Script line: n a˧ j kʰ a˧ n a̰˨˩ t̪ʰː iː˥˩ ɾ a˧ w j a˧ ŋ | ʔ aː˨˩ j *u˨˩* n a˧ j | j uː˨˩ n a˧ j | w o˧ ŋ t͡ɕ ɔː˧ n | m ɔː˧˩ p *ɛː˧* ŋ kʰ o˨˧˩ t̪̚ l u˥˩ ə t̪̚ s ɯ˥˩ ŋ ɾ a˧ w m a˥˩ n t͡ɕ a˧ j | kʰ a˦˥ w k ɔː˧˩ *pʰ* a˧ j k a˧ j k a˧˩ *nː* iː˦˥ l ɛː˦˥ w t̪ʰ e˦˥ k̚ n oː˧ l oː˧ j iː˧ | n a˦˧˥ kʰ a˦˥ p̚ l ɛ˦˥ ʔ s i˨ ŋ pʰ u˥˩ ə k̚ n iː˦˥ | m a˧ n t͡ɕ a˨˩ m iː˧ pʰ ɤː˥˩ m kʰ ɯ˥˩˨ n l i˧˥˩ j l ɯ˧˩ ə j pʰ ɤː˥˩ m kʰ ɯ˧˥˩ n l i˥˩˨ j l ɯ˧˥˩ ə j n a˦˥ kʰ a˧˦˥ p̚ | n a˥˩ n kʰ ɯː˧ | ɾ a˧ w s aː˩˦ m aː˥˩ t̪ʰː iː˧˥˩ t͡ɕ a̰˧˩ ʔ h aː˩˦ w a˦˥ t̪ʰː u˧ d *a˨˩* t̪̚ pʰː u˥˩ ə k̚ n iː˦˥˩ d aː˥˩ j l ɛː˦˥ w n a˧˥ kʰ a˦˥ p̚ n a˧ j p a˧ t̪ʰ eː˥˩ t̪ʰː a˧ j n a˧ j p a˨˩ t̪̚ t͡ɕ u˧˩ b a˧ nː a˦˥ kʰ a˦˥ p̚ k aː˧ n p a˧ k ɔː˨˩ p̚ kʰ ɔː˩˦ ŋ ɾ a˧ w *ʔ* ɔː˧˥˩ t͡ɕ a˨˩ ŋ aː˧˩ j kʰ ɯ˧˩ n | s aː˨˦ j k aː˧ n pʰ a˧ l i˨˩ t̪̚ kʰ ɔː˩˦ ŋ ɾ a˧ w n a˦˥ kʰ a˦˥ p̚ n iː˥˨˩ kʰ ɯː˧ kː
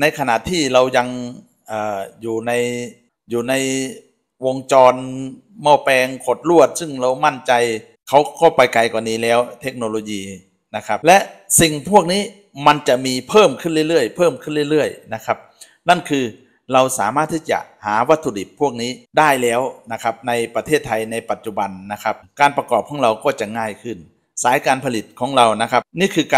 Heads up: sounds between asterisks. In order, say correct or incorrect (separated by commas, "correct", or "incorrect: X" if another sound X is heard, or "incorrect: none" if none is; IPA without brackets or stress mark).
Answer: incorrect: uː˨˩, correct, incorrect: p, incorrect: n, incorrect: i˨˩, incorrect: k